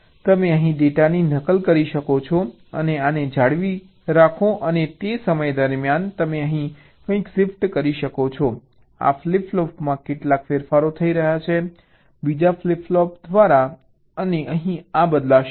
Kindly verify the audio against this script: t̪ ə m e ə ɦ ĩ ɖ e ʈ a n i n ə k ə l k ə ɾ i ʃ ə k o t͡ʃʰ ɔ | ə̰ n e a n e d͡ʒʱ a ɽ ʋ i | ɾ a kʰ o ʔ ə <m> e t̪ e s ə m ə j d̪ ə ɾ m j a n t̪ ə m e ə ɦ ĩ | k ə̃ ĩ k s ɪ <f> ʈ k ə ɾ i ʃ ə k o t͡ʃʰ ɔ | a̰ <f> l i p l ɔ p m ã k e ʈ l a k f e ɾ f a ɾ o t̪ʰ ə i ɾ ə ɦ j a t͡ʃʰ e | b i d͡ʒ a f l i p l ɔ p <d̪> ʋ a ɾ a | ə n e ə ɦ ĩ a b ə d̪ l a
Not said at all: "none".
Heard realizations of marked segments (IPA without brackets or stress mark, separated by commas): n, f, f, d̪